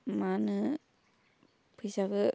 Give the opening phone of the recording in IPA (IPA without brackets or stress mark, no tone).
m